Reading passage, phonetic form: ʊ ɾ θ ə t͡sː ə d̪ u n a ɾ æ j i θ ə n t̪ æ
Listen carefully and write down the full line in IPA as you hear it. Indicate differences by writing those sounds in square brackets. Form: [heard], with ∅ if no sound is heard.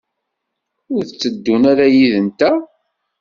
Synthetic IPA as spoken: ʊ ɾ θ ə t͡sː ə [d̪ː] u n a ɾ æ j i [ð] ə n t̪ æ